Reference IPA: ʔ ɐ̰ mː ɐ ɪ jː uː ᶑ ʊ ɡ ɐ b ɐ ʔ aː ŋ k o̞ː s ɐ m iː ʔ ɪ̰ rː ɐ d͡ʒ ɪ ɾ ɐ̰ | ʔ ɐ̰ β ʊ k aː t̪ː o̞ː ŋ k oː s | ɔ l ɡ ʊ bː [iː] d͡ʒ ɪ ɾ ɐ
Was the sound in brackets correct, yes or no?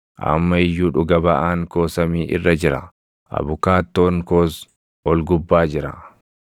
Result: no